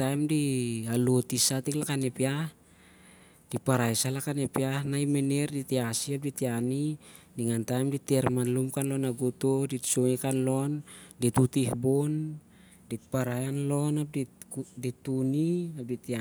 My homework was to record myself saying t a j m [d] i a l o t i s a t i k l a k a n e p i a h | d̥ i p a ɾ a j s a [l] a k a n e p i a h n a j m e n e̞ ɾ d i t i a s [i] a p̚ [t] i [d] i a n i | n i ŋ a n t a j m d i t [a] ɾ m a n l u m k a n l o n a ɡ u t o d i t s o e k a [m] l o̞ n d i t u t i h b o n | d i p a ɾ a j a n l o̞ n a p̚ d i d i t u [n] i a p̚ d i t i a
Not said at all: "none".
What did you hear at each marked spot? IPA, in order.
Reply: d, l, i, d, t, e, n, n

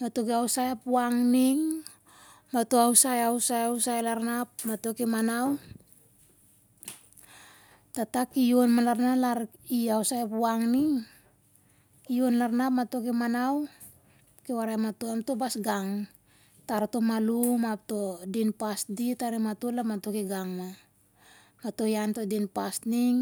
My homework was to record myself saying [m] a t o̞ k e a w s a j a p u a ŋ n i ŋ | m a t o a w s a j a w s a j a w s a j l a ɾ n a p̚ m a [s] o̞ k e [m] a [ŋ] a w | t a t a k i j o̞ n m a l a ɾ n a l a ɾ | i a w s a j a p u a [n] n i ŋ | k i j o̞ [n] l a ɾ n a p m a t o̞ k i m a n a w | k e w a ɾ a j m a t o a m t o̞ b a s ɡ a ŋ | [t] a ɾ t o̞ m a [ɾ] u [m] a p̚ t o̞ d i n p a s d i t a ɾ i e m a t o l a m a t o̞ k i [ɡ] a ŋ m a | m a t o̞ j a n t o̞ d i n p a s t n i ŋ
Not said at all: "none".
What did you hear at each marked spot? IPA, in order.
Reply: m, t, m, n, ŋ, n, t, l, m, ɡ

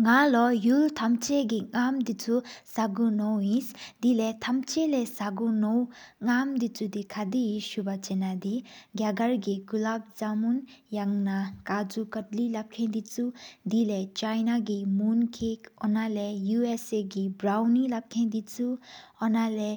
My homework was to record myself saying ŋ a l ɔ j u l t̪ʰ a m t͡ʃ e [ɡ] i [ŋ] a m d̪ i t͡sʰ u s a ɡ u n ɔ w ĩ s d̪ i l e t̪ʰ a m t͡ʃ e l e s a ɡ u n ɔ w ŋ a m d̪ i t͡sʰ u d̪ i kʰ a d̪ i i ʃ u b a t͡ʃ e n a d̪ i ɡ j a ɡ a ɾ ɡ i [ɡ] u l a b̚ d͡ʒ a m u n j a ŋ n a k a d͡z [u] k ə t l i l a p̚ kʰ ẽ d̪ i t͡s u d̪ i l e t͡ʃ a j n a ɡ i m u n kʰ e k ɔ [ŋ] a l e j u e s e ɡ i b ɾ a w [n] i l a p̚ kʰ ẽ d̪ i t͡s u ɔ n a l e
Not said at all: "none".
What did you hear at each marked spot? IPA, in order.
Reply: ɡ, ŋ, ɡ, u, n, n

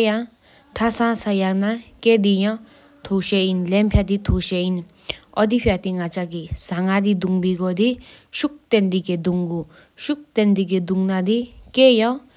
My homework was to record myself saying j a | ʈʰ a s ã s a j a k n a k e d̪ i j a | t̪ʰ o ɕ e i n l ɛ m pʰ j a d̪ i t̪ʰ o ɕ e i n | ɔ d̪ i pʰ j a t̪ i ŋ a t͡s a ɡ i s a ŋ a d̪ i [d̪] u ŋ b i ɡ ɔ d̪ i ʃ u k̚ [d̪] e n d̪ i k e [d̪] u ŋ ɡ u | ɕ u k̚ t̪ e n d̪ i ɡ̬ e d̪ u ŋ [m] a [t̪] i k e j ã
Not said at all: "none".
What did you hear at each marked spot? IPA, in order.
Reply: d̪, t̪, d̪, n, d̪

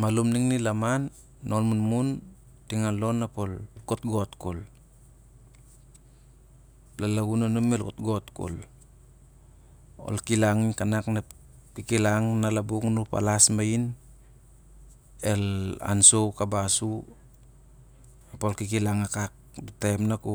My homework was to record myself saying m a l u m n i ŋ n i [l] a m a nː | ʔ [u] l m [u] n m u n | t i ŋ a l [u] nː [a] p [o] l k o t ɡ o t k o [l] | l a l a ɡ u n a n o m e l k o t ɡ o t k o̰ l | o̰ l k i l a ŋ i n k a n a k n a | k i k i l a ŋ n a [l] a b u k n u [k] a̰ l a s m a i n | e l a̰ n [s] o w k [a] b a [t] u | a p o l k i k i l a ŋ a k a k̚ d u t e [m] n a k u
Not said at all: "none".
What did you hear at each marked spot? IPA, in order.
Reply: l, o, u, o, a, o, l, l, p, s, a, s, m

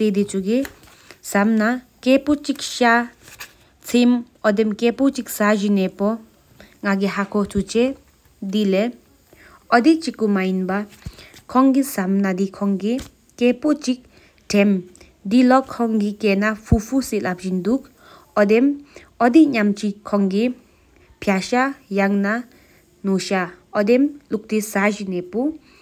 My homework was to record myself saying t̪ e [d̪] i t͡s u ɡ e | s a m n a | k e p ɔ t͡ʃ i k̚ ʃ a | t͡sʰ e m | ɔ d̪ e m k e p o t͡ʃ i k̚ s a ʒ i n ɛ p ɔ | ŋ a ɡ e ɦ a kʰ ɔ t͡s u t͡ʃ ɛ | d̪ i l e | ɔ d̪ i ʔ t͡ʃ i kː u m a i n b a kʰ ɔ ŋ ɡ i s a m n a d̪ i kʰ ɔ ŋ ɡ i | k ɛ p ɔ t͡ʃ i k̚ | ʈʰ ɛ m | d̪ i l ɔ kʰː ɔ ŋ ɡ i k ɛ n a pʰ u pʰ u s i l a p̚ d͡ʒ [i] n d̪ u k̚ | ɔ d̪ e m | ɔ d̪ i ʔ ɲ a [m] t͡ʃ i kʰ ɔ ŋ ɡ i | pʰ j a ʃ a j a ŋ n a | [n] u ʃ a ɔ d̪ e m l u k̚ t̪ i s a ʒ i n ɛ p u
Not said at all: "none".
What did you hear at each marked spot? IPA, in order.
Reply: d̪, i, m, n

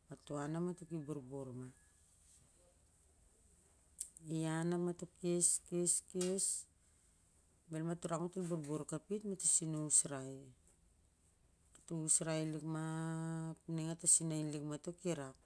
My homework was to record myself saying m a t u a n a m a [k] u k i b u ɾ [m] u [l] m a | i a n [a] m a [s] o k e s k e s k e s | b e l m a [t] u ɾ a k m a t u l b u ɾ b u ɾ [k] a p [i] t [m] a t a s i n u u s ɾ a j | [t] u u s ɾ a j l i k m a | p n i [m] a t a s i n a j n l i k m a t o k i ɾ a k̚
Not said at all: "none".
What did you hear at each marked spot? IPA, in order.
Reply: t, b, ɾ, a, t, t, k, i, m, t, ŋ

